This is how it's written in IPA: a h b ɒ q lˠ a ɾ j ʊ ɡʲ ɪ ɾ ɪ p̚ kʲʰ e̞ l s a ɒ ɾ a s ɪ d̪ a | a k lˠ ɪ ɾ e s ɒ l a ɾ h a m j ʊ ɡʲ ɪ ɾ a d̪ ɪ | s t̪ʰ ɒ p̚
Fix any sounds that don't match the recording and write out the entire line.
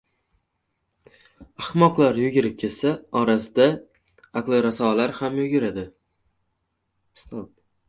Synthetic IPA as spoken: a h m ɒ q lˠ a ɾ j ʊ ɡʲ ɪ ɾ ɪ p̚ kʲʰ e̞ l s a ɒ ɾ a s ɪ d̪ a | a k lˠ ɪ ɾ a s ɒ l a ɾ h a m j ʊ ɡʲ ɪ ɾ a d̪ ɪ | s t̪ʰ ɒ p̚

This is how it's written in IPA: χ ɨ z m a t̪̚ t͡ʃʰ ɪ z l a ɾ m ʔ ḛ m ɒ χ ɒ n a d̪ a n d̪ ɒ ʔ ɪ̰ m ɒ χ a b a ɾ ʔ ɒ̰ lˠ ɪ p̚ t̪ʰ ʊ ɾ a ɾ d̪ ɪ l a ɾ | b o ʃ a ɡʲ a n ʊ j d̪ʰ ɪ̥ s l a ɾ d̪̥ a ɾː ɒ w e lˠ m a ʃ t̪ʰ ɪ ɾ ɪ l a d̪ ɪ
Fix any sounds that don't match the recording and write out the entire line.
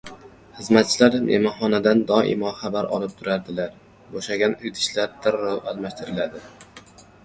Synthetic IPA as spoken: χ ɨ z m a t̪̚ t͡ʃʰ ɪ l a ɾ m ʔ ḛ m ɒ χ ɒ n a d̪ a n d̪ ɒ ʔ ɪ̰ m ɒ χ a b a ɾ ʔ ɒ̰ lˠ ɪ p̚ t̪ʰ ʊ ɾ a ɾ d̪ ɪ l a ɾ | b o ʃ a ɡʲ a n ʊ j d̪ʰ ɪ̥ ʃ l a ɾ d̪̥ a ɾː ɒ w a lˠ m a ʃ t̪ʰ ɪ ɾ ɪ l a d̪ ɪ

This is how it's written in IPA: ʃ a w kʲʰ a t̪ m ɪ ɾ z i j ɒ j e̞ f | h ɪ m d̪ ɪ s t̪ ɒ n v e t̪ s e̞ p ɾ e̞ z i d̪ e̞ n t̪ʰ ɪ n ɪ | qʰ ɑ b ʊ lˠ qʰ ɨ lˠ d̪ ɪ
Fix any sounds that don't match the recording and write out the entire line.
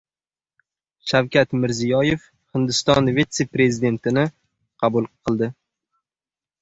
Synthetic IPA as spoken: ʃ a w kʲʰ a t̪ m ɪ ɾ z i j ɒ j e̞ f | h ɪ n d̪ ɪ s t̪ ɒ n v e t̪ s e̞ p ɾ e̞ z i d̪ e̞ n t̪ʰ ɪ n ɪ | qʰ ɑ b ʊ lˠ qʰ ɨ lˠ d̪ ɪ

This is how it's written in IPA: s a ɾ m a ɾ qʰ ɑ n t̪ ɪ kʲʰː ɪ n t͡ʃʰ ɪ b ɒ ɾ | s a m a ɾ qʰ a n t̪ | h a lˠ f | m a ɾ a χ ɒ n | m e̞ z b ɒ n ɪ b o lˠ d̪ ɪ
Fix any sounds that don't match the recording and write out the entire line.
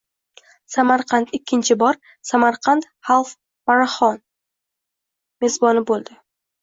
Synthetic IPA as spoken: s a m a ɾ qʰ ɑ n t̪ ɪ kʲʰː ɪ n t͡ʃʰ ɪ b ɒ ɾ | s a m a ɾ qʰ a n t̪ | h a lˠ f | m a ɾ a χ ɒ n | m e̞ z b ɒ n ɪ b o lˠ d̪ ɪ

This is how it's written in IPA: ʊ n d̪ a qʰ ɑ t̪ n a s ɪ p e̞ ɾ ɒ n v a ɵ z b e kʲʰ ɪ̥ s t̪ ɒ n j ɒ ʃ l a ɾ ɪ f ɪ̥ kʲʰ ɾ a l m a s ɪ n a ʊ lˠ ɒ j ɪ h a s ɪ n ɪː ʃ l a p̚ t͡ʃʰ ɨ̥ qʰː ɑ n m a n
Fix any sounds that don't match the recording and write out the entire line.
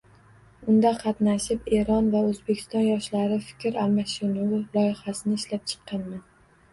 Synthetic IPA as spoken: ʊ n d̪ a qʰ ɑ t̪ n a ʃ ɪ p e̞ ɾ ɒ n v a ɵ z b e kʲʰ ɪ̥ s t̪ ɒ n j ɒ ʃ l a ɾ ɪ f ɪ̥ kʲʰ ɾ a l m a ʃ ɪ n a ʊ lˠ ɒ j ɪ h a s ɪ n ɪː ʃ l a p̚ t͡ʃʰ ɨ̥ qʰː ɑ n m a n

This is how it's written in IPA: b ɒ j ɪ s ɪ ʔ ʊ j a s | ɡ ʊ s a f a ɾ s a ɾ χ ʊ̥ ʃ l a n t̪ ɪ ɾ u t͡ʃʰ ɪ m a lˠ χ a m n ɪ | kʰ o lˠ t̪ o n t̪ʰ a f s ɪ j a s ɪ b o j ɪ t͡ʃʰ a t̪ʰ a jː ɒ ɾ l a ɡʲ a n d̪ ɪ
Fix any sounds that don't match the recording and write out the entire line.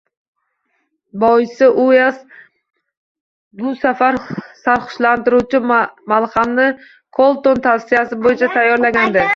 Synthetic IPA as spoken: b ɒ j ɪ s ɪ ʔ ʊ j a s | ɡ ʊ s a f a ɾ s a ɾ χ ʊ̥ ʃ l a n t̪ ɪ ɾ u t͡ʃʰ ɪ m a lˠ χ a m n ɪ | kʰ o lˠ t̪ o n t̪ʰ a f s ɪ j a s ɪ b o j ɪ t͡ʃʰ a t̪ʰ a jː ɒ ɾ l a ɡʲ a n d̪ ɪ

